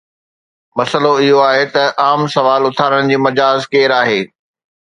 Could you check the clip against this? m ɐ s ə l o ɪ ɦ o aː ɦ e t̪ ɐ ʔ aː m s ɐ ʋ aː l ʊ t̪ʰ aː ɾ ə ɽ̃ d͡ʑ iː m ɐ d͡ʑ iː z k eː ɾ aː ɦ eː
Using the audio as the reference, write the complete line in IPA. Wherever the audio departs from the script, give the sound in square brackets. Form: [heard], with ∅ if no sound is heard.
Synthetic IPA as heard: m ɐ s ə l o ɪ ɦ o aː ɦ e t̪ ɐ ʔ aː m s ɐ ʋ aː l ʊ t̪ʰ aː ɾ ə ɽ̃ d͡ʑ iː m ɐ d͡ʑ [aː] z k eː ɾ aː ɦ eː